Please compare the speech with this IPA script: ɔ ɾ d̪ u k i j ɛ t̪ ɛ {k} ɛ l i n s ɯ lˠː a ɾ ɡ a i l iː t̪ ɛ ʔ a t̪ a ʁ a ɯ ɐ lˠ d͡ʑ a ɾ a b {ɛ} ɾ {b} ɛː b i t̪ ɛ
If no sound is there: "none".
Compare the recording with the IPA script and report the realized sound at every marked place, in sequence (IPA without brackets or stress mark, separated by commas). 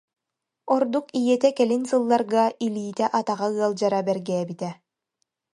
k, ɛ, ɡ